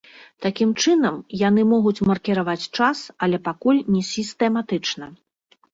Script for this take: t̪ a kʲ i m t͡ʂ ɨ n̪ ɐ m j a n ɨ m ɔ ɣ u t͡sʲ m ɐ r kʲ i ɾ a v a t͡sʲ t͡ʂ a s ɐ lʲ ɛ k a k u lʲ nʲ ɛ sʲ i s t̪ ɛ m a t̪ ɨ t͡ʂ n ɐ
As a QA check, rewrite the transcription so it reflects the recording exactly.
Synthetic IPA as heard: t̪ a kʲ i m t͡ʂ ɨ n̪ ɐ m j a n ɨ m ɔ ɣ u t͡sʲ m ɐ r kʲ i ɾ a v a t͡sʲ t͡ʂ a s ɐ lʲ ɛ p a k u lʲ nʲ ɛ sʲ i s t̪ ɛ m a t̪ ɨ t͡ʂ n ɐ